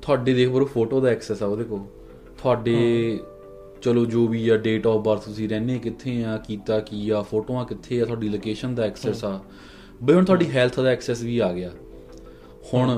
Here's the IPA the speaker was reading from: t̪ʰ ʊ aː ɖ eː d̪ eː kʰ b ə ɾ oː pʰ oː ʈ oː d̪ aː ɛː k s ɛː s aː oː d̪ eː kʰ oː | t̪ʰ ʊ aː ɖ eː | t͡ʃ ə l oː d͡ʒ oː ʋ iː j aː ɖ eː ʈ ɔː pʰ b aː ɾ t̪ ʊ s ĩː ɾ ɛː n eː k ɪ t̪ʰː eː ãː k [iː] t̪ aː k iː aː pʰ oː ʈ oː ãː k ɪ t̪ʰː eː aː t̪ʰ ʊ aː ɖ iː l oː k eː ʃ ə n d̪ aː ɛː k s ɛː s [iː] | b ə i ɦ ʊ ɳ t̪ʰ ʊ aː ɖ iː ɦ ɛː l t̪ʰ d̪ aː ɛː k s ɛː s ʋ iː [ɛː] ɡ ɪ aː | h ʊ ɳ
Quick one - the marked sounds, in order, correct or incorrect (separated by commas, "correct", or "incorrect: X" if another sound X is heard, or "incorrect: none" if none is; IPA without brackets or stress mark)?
correct, incorrect: aː, incorrect: aː